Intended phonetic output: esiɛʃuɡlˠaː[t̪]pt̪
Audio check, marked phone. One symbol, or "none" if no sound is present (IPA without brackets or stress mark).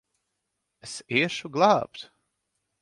none